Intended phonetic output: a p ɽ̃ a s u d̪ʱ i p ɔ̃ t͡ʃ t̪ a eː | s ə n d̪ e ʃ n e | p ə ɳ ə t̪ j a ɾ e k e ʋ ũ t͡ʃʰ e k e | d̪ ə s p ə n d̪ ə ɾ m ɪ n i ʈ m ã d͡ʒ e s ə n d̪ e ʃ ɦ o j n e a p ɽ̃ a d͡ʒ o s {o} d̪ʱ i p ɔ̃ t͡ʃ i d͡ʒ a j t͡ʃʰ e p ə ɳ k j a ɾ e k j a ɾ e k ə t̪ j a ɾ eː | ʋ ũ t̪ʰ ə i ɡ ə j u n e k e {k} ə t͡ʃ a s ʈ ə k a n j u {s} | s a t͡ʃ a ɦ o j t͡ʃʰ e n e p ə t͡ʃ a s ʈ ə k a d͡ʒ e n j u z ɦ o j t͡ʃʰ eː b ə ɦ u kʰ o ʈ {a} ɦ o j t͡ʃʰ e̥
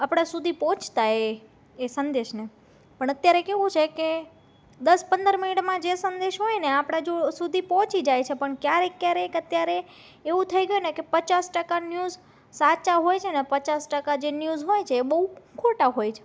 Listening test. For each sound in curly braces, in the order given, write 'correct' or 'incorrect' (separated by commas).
incorrect, incorrect, incorrect, correct